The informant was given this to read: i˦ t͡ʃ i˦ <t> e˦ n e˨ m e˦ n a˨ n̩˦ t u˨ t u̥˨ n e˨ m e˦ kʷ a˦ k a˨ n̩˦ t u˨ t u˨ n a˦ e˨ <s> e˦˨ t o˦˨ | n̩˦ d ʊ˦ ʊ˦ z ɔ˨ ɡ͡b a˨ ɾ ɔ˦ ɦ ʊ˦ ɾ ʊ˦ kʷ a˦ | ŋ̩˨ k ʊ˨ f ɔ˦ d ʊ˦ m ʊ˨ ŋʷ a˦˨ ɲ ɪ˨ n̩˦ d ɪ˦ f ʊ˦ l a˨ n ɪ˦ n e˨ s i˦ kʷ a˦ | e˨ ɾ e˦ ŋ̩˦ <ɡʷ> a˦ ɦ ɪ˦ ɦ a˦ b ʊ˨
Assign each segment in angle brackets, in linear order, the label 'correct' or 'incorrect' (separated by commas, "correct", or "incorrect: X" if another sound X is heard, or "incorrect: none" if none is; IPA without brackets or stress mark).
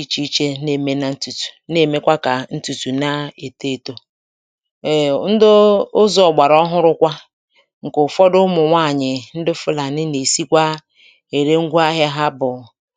incorrect: t͡ʃ, incorrect: t, correct